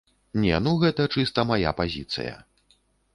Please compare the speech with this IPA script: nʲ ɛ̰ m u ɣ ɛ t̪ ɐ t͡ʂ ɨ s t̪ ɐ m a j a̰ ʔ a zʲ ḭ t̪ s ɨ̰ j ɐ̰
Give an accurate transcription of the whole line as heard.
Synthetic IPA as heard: nʲ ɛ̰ n u ɣ ɛ t̪ ɐ t͡ʂ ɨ s t̪ ɐ m a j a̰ p a zʲ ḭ t̪ s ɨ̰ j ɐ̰